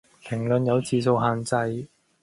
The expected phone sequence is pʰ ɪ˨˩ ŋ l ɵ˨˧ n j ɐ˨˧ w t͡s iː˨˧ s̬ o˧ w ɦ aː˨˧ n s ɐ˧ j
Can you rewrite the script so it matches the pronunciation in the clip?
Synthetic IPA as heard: pʰ ɪ˨˩ ŋ l ɵ˨˧ n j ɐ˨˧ w t͡s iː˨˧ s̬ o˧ w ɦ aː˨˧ n t͡s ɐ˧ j